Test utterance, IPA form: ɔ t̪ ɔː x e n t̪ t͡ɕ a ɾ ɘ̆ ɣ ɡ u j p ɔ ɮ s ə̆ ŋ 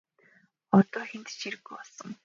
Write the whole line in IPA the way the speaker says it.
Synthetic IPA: ɔ t̪ ɔː x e n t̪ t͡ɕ i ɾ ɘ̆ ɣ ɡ u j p ɔ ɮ s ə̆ ŋ